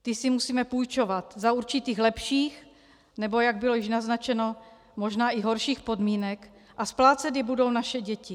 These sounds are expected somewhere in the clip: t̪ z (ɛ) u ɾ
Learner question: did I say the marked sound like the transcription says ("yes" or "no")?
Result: no